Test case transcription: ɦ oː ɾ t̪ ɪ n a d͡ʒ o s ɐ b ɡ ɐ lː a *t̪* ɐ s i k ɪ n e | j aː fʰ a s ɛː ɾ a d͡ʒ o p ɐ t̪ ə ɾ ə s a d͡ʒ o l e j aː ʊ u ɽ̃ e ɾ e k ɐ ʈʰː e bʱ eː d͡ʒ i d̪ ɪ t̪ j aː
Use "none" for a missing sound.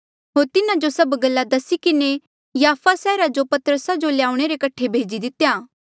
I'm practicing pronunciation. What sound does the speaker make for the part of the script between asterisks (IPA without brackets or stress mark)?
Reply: d̪